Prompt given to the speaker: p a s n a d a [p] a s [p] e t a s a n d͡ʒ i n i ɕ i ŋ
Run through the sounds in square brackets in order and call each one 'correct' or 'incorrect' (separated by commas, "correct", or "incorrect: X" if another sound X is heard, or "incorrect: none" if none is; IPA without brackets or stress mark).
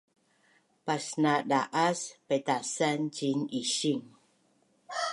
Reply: incorrect: ʔ, correct